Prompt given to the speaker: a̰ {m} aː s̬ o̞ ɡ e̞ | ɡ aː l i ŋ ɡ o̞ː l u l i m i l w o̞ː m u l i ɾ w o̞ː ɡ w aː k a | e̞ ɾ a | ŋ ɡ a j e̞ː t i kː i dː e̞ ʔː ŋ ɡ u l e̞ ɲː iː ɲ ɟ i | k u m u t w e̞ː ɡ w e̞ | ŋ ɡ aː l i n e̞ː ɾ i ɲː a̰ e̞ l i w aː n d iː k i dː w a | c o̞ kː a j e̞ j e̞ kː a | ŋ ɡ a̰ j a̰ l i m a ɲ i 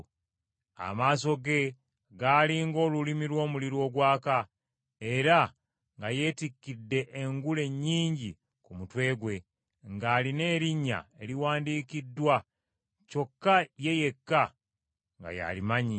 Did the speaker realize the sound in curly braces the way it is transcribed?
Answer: yes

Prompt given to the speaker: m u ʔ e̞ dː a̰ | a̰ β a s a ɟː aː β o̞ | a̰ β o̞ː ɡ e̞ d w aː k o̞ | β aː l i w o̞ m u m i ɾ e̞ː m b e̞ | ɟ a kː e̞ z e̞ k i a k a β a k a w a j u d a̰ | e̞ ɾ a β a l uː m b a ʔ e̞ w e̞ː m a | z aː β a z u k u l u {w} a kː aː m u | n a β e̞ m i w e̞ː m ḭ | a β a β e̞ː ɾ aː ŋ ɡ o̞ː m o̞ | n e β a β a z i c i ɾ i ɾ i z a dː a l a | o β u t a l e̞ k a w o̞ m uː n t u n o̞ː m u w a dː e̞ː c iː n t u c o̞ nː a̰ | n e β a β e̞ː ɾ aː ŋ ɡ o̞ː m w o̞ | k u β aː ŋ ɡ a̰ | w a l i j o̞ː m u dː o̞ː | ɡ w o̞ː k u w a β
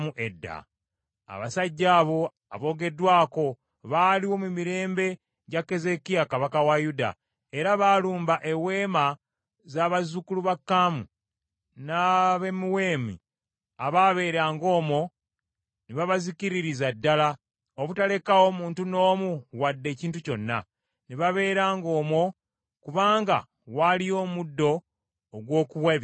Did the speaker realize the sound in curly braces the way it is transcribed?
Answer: no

